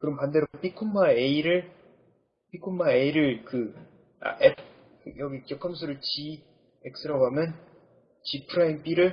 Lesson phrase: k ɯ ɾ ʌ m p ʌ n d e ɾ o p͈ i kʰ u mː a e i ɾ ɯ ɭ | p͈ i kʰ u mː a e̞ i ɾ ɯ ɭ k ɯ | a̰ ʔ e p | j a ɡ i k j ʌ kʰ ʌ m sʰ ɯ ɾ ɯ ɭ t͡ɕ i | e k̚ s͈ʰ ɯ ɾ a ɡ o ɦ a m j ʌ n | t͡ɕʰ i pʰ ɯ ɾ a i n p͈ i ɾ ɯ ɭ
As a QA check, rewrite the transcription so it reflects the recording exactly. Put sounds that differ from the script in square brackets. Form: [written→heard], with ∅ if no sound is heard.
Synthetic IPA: k ɯ ɾ ʌ m p [ʌ→a] n d e ɾ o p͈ i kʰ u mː a e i ɾ ɯ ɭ | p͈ i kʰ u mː a e̞ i ɾ ɯ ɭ k ɯ | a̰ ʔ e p | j [a→ʌ] ɡ i k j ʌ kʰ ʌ m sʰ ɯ ɾ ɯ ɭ t͡ɕ i | e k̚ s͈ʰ ɯ ɾ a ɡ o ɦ a m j ʌ n | [t͡ɕʰ→t͡ɕ] i pʰ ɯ ɾ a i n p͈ i ɾ ɯ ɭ